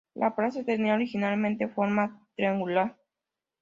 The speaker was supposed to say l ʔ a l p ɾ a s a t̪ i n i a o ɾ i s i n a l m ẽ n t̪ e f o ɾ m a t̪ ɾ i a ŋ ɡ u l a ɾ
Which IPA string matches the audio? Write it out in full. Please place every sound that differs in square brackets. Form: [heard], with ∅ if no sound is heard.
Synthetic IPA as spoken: l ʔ a [∅] p ɾ a s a t̪ [e] n i a o ɾ i [x] i n a l m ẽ n t̪ e f o ɾ m a t̪ ɾ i a ŋ ɡ u l a ɾ